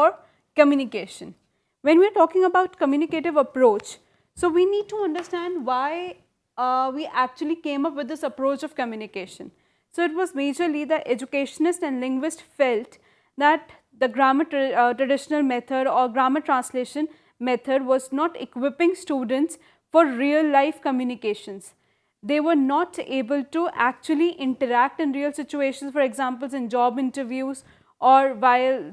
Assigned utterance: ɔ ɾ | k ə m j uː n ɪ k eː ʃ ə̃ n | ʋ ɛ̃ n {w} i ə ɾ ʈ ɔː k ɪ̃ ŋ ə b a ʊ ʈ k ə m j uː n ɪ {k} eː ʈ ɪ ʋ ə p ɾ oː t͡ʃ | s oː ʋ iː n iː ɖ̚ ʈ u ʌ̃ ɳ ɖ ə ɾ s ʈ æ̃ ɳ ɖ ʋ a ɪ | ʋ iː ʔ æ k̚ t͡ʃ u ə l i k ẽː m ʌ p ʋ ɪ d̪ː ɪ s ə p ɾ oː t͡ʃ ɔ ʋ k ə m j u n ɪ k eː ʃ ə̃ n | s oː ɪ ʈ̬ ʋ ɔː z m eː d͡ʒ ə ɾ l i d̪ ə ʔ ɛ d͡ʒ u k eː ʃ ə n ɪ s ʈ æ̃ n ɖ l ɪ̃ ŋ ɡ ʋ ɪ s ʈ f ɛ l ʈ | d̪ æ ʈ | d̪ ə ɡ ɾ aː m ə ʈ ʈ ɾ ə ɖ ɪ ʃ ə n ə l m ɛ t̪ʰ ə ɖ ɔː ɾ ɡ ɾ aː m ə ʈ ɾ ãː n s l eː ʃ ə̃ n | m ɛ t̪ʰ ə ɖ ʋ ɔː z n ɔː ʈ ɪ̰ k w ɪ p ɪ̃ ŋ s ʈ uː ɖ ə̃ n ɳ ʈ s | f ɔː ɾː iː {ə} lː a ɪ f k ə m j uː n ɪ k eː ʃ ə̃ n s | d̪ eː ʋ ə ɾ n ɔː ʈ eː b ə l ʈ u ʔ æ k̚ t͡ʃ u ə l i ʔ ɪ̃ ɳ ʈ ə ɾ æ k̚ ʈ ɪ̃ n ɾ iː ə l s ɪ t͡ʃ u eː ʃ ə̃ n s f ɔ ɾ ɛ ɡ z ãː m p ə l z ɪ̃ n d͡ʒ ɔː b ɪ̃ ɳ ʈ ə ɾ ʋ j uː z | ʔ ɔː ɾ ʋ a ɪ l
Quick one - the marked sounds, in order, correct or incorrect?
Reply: incorrect, correct, correct

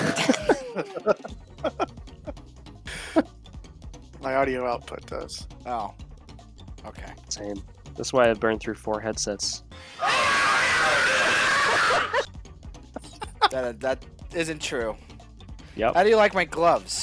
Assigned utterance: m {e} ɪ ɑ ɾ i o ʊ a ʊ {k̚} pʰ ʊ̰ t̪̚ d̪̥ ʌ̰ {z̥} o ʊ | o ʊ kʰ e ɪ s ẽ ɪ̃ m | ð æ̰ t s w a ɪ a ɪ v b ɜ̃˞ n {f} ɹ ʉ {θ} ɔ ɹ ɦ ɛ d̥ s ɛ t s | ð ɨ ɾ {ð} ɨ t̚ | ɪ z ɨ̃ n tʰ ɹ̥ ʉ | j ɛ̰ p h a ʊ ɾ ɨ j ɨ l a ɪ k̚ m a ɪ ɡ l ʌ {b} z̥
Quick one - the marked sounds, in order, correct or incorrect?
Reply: incorrect, incorrect, correct, incorrect, incorrect, correct, incorrect

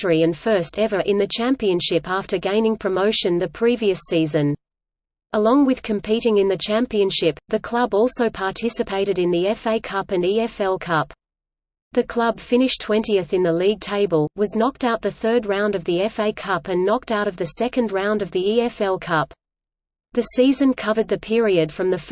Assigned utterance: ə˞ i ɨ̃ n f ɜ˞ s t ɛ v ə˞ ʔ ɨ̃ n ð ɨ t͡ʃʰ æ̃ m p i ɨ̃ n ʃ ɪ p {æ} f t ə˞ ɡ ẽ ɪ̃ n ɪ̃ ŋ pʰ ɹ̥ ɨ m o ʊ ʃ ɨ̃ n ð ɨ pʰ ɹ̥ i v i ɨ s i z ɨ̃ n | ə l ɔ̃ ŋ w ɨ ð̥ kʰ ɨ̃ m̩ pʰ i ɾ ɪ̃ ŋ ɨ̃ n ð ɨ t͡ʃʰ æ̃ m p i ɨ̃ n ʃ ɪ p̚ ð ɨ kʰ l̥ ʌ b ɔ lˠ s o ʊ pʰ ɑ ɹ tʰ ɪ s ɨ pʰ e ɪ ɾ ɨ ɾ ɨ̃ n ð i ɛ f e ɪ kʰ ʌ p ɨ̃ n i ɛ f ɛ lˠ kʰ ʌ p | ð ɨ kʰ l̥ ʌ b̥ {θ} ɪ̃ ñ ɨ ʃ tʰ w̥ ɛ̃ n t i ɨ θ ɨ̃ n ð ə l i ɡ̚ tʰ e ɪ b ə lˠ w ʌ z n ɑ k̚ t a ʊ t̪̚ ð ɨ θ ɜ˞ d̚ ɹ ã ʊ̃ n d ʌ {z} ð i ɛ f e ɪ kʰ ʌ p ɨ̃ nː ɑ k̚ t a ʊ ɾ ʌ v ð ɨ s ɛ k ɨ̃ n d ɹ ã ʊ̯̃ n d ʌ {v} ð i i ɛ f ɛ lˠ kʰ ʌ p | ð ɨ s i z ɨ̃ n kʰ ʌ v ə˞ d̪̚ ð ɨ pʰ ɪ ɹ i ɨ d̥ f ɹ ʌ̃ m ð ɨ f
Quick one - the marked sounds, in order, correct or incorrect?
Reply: correct, incorrect, incorrect, correct

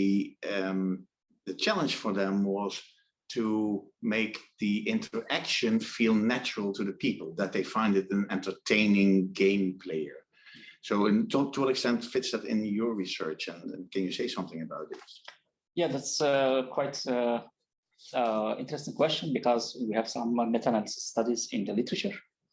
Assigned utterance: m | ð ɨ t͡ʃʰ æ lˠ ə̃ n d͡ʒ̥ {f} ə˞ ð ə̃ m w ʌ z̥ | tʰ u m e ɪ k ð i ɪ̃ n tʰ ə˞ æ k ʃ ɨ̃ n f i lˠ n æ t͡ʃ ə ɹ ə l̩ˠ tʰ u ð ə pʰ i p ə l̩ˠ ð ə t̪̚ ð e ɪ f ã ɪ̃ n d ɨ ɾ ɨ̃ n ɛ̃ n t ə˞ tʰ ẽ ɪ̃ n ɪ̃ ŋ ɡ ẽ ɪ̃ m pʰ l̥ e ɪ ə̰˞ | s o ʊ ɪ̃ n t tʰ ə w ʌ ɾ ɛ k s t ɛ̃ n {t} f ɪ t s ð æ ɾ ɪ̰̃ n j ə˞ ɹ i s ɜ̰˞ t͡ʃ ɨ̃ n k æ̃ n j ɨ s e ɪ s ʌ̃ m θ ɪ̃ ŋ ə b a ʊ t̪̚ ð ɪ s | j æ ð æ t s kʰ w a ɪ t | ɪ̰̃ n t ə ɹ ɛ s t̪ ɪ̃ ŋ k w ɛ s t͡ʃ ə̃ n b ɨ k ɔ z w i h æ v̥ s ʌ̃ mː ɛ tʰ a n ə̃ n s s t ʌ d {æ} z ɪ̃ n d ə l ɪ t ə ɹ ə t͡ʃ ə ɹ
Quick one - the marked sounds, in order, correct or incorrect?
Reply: correct, correct, incorrect

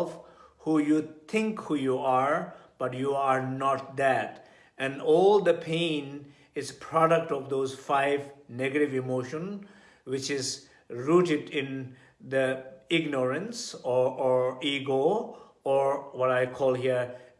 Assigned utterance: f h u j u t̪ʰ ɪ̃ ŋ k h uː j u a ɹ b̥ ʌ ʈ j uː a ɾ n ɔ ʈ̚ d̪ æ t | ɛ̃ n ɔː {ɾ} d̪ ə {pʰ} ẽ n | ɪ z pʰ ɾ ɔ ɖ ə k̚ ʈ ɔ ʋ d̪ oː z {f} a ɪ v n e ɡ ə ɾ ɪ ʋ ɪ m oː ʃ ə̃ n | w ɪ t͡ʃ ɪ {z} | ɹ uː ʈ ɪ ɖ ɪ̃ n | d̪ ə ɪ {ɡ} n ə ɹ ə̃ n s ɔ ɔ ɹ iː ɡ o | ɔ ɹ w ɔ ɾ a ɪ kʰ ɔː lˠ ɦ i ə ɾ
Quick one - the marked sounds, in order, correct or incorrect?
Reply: incorrect, correct, correct, correct, correct

